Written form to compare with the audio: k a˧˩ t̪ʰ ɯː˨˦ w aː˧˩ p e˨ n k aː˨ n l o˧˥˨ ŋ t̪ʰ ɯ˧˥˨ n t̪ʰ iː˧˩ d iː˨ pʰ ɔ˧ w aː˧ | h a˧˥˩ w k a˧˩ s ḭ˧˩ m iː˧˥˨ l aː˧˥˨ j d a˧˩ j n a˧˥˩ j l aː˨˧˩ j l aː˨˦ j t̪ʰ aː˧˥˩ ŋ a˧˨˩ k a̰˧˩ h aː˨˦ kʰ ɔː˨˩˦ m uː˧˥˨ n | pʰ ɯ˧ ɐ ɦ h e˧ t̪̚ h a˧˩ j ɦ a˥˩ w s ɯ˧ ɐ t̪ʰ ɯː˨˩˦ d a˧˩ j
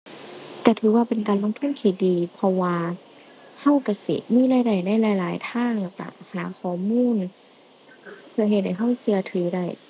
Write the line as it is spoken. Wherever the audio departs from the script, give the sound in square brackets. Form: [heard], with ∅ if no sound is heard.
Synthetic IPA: k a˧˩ t̪ʰ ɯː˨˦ w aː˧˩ p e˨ n k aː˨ n l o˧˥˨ ŋ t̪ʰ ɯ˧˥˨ n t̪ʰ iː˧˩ d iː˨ pʰ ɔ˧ w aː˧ | h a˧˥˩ w k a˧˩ s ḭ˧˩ m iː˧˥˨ l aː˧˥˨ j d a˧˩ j n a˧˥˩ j l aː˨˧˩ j l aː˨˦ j t̪ʰ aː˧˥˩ ŋ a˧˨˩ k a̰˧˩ h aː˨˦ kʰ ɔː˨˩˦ m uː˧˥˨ n | pʰ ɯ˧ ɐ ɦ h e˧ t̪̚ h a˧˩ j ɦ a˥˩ w s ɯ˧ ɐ t̪ʰ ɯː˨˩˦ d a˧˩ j